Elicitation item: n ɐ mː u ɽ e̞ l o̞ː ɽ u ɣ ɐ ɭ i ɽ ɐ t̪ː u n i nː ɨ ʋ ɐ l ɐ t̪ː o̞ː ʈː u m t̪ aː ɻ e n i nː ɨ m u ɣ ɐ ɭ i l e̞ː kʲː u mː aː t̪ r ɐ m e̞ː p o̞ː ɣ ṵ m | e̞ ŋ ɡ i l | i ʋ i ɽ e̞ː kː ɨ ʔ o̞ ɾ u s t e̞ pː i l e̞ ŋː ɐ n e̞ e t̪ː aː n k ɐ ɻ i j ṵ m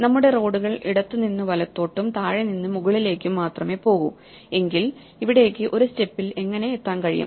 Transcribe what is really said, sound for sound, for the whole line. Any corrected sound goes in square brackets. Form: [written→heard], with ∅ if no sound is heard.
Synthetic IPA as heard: n ɐ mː u ɽ e̞ [l→r] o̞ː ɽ u ɣ ɐ ɭ i ɽ ɐ t̪ː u n i nː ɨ ʋ ɐ l ɐ t̪ː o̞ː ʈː u m t̪ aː ɻ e n i nː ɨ m u ɣ ɐ ɭ i l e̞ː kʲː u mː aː t̪ r ɐ m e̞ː p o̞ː ɣ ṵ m | e̞ ŋ ɡ i l | i ʋ i ɽ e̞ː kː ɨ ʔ o̞ ɾ u s t e̞ pː i l e̞ ŋː ɐ n e̞ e t̪ː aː n k ɐ ɻ i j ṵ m